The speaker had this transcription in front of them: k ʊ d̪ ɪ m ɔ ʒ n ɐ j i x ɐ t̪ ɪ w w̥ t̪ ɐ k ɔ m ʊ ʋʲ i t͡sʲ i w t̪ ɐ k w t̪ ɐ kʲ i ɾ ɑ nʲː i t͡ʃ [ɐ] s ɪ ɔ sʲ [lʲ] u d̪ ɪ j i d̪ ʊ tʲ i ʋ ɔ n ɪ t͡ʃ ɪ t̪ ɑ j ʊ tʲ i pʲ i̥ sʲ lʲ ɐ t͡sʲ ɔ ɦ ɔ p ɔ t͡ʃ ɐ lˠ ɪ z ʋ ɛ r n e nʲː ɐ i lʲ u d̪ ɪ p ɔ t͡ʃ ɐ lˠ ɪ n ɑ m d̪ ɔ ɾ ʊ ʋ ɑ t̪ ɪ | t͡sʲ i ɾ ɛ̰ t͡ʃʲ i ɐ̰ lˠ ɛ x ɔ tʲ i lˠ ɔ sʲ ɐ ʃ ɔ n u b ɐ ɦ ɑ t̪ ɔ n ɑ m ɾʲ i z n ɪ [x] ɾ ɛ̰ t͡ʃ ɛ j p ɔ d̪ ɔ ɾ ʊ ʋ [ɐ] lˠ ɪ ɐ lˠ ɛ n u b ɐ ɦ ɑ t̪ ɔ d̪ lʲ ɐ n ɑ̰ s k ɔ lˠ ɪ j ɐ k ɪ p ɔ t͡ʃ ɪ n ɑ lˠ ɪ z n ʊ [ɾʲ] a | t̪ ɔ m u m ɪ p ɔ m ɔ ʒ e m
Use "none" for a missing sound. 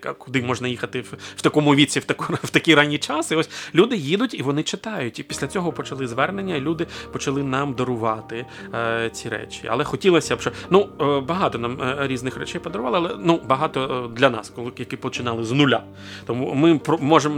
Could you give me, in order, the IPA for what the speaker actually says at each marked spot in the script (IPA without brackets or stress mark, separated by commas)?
ɑ, lʲ, x, ɑ, lʲ